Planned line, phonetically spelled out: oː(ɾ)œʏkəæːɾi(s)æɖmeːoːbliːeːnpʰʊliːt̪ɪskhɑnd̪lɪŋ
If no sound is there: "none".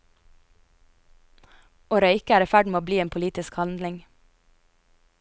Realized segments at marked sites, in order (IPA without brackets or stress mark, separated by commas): ɾ, f